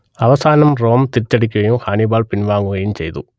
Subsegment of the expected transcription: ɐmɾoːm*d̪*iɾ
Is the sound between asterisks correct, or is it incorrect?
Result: incorrect